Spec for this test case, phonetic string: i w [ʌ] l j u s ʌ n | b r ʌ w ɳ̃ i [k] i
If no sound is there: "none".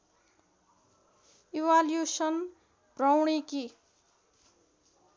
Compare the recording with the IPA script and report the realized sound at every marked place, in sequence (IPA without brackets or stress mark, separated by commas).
a, k